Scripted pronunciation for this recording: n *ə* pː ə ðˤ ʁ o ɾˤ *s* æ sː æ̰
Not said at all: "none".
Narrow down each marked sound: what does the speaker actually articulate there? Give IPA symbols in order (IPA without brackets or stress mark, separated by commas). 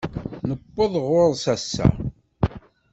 ə, s